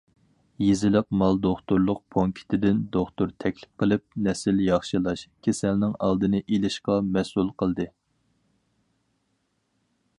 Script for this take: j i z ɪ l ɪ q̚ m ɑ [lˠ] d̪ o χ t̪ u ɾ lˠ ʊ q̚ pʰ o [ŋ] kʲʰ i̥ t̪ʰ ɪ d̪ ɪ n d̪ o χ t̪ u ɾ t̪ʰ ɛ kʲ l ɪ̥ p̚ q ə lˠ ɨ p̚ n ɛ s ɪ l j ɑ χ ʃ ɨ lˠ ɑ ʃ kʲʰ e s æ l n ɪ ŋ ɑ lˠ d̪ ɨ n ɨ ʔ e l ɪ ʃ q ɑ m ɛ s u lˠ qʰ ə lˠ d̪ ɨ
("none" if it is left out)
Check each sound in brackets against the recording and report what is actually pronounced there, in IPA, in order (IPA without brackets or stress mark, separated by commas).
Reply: lˠ, ŋ